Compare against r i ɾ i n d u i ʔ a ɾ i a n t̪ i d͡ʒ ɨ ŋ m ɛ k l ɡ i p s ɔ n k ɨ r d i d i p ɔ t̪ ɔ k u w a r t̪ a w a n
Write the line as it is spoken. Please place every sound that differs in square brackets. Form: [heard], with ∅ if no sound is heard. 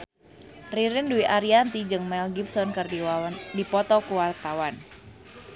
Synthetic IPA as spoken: r i ɾ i n d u i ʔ a ɾ i a n t̪ i d͡ʒ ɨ ŋ m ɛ [∅] l ɡ i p s ɔ n k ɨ r d i d i p ɔ t̪ ɔ k u w a r t̪ a w a n